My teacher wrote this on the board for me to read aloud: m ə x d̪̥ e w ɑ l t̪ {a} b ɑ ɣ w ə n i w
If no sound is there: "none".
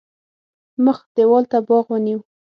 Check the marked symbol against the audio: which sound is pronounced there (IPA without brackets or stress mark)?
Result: a